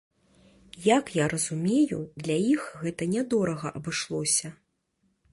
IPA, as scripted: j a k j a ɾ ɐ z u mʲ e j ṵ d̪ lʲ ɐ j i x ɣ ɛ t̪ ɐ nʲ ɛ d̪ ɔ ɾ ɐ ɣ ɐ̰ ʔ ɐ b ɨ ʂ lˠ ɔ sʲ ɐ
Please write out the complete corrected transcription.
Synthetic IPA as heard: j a k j a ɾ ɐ z u mʲ e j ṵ d̪ lʲ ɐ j i x ɣ ɛ t̪ ɐ nʲ ɛ d̪ ɔ ɾ ɐ ɣ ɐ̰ ʔ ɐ b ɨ ʂ lˠ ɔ sʲ ɐ